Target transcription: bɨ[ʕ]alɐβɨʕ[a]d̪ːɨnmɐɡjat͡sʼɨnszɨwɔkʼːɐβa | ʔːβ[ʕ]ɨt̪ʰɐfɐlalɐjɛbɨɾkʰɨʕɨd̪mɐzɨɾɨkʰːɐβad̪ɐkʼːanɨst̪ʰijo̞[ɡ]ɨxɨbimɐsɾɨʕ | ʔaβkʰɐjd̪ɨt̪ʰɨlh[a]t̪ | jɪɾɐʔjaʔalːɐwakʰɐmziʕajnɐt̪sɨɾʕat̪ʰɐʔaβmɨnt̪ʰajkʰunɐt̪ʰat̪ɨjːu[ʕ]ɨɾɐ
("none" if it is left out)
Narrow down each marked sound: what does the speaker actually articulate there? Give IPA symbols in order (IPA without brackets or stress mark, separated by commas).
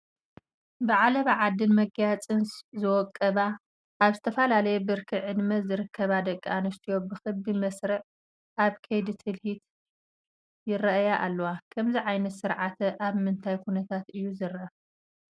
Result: ʕ, a, z, b, i, z